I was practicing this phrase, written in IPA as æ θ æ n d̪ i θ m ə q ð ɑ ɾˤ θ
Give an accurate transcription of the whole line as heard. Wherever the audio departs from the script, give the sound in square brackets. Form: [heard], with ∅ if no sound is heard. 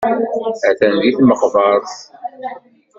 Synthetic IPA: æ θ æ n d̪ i θ m ə q [v] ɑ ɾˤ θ